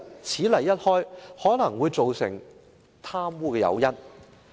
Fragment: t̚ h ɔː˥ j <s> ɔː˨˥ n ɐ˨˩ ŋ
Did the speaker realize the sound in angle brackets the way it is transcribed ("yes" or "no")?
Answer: no